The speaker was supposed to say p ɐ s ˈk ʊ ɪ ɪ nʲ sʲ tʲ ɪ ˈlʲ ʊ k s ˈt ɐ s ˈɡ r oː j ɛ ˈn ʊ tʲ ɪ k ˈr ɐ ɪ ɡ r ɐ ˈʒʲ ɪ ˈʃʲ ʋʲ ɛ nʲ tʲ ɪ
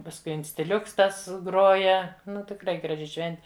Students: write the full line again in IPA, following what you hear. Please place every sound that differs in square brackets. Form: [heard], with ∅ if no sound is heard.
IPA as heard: p ɐ s ˈk ʊ ɪ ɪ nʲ sʲ tʲ ɪ ˈlʲ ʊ k s ˈt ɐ s ˈɡ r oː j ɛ ˈn ʊ tʲ ɪ k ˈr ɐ ɪ ɡ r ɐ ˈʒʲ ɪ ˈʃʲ ʋʲ ɛ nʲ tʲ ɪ